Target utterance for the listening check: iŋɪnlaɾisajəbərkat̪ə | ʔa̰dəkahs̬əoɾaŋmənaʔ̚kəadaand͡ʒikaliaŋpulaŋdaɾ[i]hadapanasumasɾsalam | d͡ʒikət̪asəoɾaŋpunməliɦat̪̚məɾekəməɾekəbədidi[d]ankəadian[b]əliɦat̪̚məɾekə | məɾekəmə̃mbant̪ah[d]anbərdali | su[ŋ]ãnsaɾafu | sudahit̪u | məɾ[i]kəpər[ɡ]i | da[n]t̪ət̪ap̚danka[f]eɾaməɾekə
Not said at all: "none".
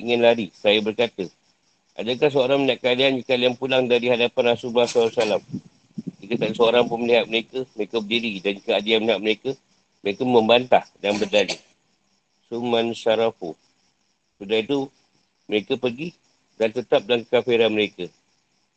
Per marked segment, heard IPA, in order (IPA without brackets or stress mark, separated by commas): i, d, m, d, m, e, ɡ, n, f